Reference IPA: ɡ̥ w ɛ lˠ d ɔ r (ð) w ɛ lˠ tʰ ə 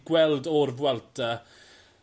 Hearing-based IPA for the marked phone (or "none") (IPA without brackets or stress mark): v